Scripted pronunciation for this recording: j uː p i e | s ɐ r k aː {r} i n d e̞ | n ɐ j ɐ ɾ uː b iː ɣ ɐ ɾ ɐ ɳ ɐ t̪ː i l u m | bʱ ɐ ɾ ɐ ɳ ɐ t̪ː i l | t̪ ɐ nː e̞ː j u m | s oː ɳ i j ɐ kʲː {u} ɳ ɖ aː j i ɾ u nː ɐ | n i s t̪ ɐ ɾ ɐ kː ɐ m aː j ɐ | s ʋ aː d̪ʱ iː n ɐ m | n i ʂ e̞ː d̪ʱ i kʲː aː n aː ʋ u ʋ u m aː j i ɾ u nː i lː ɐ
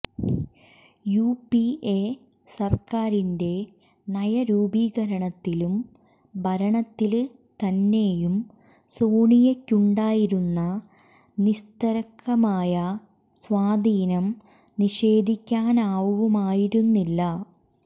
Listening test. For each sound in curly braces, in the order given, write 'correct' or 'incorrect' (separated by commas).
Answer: incorrect, correct